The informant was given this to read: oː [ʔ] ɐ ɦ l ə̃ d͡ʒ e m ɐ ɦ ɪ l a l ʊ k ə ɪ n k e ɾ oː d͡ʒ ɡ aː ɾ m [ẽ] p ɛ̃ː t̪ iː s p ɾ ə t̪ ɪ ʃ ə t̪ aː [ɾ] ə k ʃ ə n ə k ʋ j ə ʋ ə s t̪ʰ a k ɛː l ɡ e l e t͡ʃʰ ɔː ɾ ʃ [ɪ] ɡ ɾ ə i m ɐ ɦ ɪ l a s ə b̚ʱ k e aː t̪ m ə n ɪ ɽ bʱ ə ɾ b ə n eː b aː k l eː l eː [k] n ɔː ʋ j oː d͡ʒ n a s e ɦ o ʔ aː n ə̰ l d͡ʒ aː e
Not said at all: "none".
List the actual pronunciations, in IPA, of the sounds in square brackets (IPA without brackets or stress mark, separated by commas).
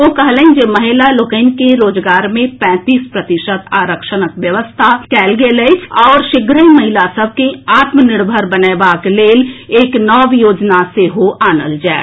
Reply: k, ẽ, ɾ, ɪ, k